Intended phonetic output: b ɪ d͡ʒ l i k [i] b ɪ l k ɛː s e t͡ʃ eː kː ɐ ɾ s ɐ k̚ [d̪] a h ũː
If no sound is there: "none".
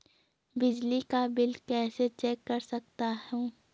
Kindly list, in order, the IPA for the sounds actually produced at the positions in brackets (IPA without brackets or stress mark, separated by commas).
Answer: a, t̪